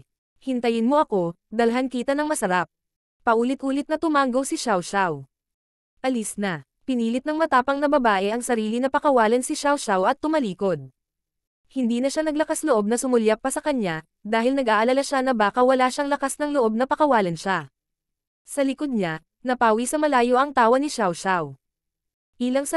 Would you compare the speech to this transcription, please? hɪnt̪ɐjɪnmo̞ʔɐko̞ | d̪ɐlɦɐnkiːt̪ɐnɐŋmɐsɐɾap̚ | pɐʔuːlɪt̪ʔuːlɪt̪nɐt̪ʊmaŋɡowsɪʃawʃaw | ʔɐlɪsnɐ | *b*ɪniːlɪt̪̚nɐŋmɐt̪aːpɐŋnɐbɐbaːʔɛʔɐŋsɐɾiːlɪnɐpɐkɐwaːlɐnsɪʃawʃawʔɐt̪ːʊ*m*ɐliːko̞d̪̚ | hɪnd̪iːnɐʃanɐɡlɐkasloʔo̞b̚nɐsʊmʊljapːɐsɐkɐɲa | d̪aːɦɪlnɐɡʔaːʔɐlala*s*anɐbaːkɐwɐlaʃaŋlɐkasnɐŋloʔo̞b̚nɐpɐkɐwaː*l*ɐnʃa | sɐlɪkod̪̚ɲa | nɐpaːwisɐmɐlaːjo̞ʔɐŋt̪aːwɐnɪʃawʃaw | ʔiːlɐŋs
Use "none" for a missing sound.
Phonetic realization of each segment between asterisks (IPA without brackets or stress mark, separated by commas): p, m, ʃ, l